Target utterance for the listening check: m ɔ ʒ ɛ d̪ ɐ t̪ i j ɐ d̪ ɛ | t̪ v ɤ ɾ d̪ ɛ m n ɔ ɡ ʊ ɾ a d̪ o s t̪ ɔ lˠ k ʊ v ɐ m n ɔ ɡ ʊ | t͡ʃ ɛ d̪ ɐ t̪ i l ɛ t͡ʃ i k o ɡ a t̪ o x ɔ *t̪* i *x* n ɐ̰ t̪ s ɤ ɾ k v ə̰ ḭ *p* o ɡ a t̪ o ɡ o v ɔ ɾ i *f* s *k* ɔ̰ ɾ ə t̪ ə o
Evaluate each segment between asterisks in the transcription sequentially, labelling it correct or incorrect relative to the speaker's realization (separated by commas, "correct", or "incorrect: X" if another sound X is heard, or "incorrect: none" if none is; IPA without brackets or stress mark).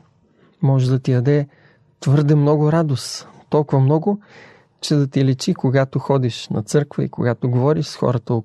incorrect: d̪, incorrect: ʃ, incorrect: k, incorrect: ʃ, incorrect: x